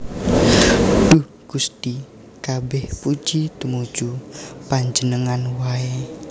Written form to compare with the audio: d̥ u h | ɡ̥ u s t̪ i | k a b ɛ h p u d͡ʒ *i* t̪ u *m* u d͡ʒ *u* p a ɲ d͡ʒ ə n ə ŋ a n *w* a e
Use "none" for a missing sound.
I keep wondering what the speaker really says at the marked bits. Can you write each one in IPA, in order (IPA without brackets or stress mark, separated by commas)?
i, m, u, w